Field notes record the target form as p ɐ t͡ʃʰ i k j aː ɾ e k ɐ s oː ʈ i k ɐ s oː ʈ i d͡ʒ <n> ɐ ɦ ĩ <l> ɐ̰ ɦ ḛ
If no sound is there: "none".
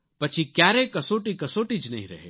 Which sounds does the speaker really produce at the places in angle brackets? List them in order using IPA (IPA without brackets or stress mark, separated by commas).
n, ɾ